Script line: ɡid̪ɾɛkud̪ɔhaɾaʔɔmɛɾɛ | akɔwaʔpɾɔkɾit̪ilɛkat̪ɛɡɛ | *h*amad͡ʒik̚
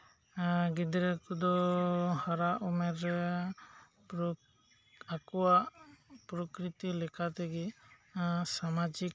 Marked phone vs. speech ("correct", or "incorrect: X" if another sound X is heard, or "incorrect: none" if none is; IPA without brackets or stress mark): incorrect: s